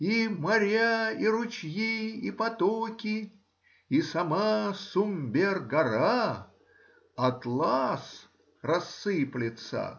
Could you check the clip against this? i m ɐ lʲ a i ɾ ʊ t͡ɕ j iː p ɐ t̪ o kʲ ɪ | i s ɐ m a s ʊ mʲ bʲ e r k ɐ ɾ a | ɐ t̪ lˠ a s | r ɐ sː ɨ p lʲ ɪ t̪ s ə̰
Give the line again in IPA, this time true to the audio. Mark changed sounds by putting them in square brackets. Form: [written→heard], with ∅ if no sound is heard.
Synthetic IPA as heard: i m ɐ [lʲ→ɾʲ] a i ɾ ʊ t͡ɕ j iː p ɐ t̪ o kʲ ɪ | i s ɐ m a s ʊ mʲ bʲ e r [k→ɡ] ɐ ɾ a | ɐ t̪ lˠ a s | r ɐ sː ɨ p lʲ ɪ t̪ s ə̰